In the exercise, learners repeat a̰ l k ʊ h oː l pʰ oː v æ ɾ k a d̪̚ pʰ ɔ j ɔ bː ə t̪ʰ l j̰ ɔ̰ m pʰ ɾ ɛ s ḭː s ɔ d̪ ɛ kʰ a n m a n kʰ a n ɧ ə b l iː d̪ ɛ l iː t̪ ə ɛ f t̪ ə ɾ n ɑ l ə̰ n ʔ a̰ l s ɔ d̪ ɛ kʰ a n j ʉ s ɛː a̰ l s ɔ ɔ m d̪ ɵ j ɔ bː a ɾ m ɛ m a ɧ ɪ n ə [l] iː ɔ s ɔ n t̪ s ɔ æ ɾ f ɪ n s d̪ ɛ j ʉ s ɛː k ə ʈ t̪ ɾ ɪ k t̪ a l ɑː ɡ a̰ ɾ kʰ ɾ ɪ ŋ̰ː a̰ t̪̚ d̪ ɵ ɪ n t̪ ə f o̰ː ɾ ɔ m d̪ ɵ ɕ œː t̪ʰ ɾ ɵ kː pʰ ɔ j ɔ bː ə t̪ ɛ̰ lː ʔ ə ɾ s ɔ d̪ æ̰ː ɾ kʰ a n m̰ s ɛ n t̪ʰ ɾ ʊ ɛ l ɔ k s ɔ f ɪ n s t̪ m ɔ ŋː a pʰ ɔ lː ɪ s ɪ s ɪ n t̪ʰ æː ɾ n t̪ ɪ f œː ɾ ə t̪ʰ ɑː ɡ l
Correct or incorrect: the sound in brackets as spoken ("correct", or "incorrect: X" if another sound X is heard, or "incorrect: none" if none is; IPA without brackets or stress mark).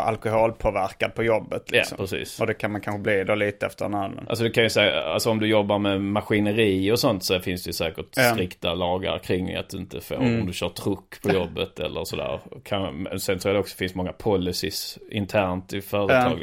incorrect: ɾ